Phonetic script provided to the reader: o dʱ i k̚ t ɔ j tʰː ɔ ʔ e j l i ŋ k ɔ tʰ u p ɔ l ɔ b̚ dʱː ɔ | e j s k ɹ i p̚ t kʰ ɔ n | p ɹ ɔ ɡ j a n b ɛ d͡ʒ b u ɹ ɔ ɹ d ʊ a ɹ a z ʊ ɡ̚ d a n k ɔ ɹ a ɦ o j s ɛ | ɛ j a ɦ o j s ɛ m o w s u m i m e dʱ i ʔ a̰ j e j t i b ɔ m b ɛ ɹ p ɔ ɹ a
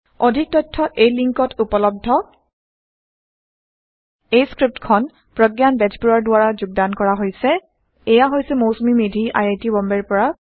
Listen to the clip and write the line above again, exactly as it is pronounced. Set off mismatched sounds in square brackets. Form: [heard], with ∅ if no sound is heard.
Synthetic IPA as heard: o dʱ i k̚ t ɔ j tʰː ɔ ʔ e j l i ŋ k ɔ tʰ u p ɔ l ɔ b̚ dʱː ɔ | e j s k ɹ i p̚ t kʰ ɔ n | p ɹ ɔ ɡ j a n b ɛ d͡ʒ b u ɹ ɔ ɹ d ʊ a ɹ a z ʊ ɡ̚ d a n k ɔ ɹ a ɦ o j s ɛ | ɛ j a ɦ o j s ɛ m o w s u m i m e dʱ i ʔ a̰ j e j t i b ɔ m b ɛ ɹ p ɔ ɹ a